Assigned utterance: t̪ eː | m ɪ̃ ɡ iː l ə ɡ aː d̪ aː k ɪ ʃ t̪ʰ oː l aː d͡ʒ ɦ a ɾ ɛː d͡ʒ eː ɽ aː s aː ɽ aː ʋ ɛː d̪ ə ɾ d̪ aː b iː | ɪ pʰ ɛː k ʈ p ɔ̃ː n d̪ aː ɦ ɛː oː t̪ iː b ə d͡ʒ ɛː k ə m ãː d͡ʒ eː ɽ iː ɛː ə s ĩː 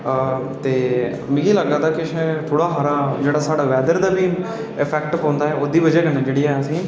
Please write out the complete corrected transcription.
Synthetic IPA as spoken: t̪ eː | m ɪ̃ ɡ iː l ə ɡ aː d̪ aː k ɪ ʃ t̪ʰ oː ɽ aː ɦ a ɾ aː d͡ʒ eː ɽ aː s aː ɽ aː ʋ ɛː d̪ ə ɾ d̪ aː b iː | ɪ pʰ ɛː k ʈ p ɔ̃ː n d̪ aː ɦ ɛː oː d̪ iː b ə d͡ʒ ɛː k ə n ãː d͡ʒ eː ɽ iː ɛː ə s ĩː